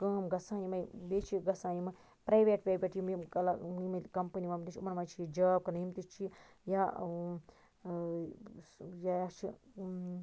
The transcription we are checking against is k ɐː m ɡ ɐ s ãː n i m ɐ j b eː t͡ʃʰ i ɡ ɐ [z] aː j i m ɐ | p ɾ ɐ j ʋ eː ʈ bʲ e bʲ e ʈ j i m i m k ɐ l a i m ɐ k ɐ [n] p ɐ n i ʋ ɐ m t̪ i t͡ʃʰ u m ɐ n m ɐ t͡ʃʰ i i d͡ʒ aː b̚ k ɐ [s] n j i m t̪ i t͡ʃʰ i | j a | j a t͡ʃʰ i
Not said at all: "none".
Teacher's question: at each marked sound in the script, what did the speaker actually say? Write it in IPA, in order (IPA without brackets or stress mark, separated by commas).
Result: s, m, none